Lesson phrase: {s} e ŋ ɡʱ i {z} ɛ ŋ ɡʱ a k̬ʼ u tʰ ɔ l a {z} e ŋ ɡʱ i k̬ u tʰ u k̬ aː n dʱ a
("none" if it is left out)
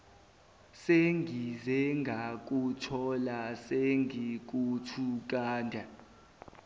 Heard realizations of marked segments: s, z, s

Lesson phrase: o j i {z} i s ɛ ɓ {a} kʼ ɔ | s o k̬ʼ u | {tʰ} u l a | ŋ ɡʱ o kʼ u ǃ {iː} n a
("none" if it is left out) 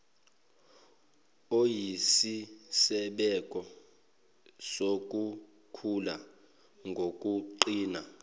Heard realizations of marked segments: s, ɛ, kʰ, iː

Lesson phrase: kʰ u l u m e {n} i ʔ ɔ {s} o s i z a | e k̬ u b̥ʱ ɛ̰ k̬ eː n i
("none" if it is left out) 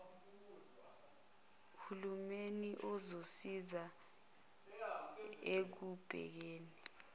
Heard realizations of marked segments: n, z

